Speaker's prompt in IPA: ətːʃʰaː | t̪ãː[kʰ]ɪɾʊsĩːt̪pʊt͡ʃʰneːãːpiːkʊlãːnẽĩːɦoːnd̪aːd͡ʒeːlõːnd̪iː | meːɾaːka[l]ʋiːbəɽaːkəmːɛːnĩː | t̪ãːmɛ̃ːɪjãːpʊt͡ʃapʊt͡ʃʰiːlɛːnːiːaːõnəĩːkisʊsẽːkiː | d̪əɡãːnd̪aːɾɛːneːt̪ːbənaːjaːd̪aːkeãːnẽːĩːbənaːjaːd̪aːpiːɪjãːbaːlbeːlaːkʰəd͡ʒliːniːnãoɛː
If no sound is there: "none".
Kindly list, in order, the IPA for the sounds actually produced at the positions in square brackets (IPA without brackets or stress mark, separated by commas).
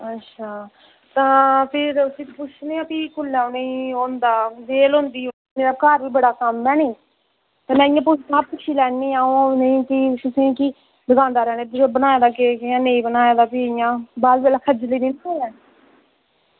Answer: pʰ, ɾ